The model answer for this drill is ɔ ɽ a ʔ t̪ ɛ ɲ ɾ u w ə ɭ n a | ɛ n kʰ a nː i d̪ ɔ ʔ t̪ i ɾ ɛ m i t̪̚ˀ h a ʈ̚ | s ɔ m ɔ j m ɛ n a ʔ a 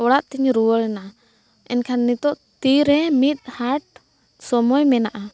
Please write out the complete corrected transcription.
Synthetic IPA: ɔ ɽ a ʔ t̪ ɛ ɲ ɾ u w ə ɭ n a | ɛ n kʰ a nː i t̪ ɔ ʔ t̪ i ɾ ɛ m i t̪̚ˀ h a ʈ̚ | s ɔ m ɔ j m ɛ n a ʔ a